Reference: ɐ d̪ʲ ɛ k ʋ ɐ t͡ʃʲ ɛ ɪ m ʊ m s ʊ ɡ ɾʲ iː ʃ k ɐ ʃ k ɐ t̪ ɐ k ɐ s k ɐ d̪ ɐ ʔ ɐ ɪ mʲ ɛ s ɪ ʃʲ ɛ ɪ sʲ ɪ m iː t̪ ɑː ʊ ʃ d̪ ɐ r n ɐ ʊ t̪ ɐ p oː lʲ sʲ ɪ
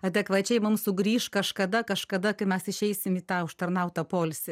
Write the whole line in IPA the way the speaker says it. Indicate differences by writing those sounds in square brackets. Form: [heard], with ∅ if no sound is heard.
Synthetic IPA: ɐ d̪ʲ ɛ k ʋ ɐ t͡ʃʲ ɛ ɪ m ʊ m s ʊ ɡ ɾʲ iː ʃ k ɐ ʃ k ɐ [d̪] ɐ k ɐ [ʃ] k ɐ d̪ ɐ [k] ɐ ɪ mʲ ɛ s ɪ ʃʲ ɛ ɪ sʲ ɪ m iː t̪ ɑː ʊ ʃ [t̪] ɐ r n ɐ ʊ t̪ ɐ p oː lʲ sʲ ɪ